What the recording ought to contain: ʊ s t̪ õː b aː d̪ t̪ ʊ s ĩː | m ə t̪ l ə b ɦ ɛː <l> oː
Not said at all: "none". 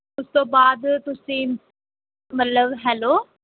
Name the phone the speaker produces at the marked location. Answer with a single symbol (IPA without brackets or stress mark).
l